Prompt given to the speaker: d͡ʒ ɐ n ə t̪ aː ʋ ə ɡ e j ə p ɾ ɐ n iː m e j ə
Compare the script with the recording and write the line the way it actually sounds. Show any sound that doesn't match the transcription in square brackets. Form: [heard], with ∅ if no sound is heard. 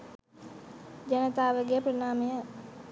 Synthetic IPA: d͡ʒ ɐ n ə t̪ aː ʋ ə ɡ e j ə p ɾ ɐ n [aː] m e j ə

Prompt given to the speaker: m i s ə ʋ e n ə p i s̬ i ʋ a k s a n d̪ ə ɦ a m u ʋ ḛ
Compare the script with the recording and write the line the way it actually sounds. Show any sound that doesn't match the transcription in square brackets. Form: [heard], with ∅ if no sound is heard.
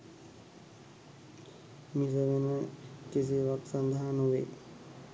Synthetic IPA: m i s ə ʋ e n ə [k] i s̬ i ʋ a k s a n d̪ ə ɦ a [n] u ʋ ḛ

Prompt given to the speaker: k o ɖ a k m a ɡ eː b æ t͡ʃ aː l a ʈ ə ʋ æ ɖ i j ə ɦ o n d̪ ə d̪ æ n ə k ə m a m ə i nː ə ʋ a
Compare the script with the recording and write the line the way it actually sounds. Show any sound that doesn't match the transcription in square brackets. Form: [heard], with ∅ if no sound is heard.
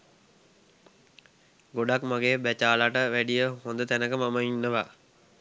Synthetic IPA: [ɡ] o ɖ a k m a ɡ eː b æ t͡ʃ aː l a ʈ ə ʋ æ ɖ i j ə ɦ o n d̪ ə [t̪] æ n ə k ə m a m ə i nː ə ʋ a

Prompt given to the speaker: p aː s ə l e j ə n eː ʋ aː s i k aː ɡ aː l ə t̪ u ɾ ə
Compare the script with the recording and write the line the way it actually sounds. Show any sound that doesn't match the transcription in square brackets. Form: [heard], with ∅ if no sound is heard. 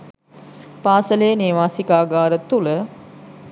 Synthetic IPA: p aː s ə l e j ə n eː ʋ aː s i k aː ɡ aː [ɾ] ə t̪ u [l] ə

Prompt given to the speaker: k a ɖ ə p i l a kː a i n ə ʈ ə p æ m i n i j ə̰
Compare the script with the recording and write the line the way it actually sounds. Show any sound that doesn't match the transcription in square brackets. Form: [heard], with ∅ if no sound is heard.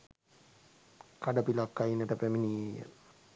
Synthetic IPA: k a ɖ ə p i l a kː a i n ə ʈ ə p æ m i n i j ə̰

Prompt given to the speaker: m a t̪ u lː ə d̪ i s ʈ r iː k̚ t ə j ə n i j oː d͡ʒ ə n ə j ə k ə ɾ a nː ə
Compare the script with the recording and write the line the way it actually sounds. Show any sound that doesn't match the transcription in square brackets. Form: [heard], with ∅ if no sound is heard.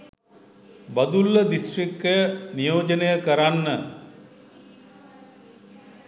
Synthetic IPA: [b] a [d̪] u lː ə d̪ i s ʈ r [i] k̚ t ə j ə n i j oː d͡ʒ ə n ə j ə k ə ɾ a nː ə

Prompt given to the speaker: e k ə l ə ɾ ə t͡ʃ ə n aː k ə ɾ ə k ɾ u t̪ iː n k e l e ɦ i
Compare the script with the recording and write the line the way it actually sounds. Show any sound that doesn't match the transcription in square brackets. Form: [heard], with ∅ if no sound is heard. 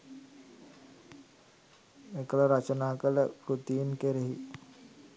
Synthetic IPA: e k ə l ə ɾ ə t͡ʃ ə n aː k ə [l] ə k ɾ u t̪ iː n k e [ɾ] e ɦ i

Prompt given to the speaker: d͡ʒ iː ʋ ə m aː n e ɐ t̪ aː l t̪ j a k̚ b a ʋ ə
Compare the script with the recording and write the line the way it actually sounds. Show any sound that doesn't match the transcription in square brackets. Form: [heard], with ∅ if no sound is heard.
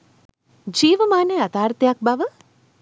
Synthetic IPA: d͡ʒ iː ʋ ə m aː n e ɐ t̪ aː [ɾ] t̪ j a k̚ b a ʋ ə

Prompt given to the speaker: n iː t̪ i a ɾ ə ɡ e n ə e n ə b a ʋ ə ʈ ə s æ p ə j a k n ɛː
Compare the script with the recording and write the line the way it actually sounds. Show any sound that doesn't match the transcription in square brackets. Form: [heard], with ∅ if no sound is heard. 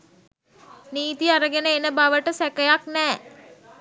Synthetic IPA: n iː t̪ i a ɾ ə ɡ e n ə e n ə b a ʋ ə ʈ ə s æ [k] ə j a k n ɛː

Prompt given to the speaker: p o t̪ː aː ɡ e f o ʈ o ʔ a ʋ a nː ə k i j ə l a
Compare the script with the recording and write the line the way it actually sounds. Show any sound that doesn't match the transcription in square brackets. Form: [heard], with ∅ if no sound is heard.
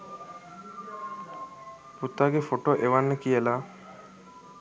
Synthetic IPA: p [u] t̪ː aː ɡ e f o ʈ o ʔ [e] ʋ a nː ə k i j ə l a

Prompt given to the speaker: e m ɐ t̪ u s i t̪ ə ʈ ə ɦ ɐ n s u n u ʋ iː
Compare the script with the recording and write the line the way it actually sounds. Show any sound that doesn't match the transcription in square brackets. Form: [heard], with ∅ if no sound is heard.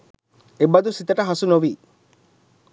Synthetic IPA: e [b] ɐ [d̪] u s i t̪ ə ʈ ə ɦ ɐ [∅] s u n [o] ʋ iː

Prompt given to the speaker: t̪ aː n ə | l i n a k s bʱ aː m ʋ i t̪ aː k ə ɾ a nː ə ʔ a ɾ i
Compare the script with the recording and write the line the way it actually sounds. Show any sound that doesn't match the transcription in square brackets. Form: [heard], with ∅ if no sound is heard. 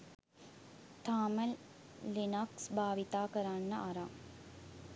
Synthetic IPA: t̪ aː [m] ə | l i n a k s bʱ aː [∅] ʋ i t̪ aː k ə ɾ a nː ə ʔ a ɾ [a]

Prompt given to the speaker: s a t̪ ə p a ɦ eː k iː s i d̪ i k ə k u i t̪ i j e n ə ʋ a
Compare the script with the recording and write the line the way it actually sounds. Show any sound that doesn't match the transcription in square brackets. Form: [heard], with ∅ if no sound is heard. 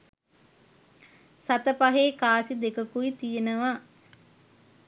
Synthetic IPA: s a t̪ ə p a ɦ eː k [aː] s i d̪ [e] k ə k u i t̪ i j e n ə ʋ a

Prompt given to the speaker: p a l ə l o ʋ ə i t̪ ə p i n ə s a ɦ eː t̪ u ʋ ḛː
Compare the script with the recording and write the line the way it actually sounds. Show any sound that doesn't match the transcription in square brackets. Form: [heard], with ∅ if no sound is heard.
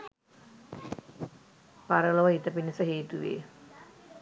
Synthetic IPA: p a [ɾ] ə l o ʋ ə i t̪ ə p i n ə s [ə] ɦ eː t̪ u ʋ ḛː

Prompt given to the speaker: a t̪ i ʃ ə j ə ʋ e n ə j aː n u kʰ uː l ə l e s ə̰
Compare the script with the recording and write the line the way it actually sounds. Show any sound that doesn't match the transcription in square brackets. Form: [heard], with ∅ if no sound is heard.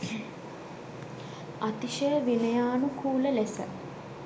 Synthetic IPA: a t̪ i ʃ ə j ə ʋ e n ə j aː n u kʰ uː l ə l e s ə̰

